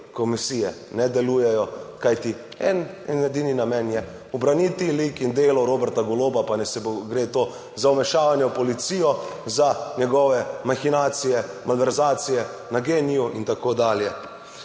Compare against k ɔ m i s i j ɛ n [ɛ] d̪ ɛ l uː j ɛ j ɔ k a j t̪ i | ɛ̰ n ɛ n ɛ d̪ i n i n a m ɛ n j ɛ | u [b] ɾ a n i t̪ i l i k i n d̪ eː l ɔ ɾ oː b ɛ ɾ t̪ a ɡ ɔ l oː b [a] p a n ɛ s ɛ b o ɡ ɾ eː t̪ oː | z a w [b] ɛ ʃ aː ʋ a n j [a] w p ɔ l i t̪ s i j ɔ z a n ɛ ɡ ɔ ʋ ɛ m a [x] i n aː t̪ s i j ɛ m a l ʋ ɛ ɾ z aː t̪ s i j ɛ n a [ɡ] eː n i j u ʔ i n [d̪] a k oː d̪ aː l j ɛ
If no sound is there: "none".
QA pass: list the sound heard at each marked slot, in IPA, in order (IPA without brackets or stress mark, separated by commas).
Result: ɛ, b, a, m, ɛ, x, ɡ, t̪